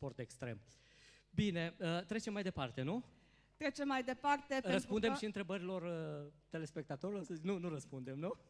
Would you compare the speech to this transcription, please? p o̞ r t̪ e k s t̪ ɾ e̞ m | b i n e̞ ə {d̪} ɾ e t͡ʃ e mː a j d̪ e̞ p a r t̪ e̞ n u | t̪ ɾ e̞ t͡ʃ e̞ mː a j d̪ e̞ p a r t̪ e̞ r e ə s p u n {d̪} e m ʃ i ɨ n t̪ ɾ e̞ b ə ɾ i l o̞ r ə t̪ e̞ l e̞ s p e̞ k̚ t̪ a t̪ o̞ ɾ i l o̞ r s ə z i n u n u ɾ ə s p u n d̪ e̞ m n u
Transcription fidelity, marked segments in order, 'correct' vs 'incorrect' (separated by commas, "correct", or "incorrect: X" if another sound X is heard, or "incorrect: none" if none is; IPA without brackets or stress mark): incorrect: t̪, correct